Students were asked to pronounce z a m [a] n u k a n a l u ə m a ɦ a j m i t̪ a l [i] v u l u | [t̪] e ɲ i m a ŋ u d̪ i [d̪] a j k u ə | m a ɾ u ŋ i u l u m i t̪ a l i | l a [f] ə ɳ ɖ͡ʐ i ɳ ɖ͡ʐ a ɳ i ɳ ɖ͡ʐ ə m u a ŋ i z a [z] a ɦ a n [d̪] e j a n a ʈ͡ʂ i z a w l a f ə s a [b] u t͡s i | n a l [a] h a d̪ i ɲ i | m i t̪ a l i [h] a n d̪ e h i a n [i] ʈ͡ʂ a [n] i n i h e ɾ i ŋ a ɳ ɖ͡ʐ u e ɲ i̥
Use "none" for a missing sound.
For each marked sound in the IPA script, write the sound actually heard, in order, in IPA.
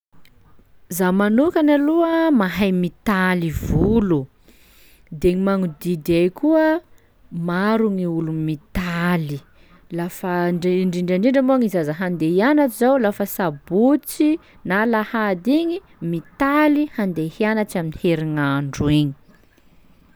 a, i, d̪, d̪, f, z, d̪, b, a, h, a, m

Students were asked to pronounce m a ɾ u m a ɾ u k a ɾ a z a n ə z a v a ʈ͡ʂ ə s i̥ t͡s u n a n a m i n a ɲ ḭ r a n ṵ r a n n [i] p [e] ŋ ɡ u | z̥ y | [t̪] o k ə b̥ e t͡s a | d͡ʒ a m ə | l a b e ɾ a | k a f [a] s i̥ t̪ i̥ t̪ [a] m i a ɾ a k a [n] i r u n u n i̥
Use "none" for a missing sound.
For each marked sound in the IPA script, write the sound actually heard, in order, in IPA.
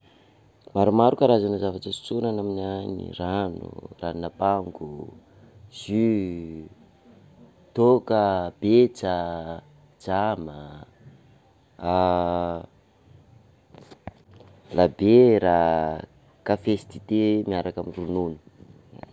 a, a, t̪, e, e, m

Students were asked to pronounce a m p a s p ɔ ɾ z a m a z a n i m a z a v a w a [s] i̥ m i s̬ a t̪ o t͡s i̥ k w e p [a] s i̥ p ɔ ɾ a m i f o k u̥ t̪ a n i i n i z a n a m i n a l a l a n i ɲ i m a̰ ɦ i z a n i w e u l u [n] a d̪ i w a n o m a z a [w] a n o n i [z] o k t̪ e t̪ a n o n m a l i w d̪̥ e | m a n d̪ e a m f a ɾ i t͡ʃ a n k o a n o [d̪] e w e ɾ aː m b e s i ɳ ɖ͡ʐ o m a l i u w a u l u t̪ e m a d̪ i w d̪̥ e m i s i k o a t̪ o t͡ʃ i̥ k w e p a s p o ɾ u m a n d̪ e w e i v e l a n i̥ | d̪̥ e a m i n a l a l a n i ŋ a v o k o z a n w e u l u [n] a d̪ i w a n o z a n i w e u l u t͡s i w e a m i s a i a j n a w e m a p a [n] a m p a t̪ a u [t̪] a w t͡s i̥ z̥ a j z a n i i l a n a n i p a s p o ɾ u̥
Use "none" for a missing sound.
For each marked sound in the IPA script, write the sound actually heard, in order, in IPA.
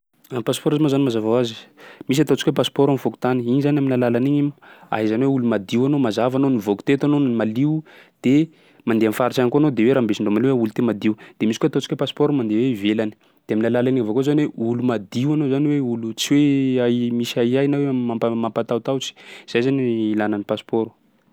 z, a, m, v, v, d̪, m, m, t̪

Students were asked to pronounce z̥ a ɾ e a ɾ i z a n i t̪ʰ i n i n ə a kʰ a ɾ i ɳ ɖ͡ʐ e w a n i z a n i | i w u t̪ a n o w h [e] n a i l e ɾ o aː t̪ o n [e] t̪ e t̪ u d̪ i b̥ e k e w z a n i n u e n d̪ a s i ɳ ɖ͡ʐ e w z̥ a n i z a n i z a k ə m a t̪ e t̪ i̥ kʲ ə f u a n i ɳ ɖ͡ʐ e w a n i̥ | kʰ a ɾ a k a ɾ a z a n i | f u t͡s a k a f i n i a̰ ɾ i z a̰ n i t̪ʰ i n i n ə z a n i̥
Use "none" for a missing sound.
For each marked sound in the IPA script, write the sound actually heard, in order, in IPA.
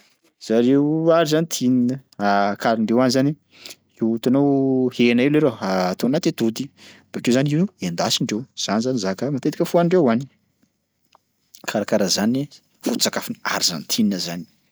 e, a

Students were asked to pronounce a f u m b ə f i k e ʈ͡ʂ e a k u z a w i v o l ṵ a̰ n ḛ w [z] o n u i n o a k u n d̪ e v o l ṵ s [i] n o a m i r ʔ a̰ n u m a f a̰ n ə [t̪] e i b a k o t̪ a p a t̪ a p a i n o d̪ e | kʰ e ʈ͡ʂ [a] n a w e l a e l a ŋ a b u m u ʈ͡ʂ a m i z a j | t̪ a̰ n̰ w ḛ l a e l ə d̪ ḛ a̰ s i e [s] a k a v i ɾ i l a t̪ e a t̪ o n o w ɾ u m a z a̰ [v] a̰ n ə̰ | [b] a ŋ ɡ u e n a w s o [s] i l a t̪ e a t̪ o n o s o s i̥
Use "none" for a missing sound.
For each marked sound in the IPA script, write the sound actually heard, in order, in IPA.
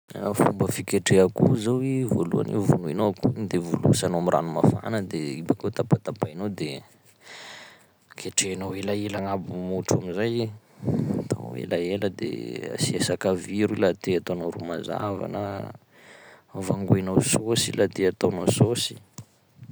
v, a, d̪, e, s, v, v, s

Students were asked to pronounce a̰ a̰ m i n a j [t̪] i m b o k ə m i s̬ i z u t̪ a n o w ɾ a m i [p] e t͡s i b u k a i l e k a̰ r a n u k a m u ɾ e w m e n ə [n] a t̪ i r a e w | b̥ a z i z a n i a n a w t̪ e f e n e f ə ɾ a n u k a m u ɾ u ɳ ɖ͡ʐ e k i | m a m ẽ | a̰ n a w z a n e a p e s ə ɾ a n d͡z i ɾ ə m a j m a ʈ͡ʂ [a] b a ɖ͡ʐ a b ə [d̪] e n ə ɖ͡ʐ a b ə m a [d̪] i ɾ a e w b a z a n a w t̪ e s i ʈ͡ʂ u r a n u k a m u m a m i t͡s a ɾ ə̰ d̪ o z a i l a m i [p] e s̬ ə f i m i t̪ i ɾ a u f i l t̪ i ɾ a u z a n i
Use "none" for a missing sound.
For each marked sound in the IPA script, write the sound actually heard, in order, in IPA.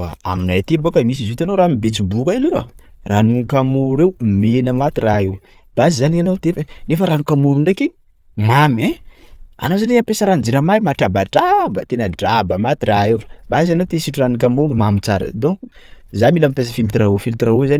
t̪, b, m, a, t̪, t̪, p

